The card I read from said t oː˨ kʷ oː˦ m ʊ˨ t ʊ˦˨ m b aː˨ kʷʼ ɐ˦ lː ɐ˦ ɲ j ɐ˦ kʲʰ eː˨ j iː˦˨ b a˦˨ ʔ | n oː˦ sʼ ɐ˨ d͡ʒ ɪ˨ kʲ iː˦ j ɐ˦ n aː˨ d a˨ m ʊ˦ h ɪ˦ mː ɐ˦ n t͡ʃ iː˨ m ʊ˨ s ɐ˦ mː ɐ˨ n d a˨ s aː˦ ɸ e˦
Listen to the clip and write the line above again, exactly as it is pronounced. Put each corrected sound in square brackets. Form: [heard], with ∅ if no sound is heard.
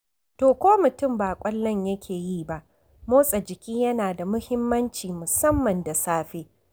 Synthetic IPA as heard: t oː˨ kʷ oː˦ m ʊ˨ t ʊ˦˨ m b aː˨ kʷʼ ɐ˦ lː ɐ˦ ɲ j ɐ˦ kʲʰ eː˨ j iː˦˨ b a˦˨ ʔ | [m] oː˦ sʼ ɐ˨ d͡ʒ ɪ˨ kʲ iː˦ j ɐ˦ n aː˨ d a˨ m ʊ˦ h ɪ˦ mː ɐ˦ n t͡ʃ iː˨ m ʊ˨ s ɐ˦ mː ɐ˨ n d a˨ s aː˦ ɸ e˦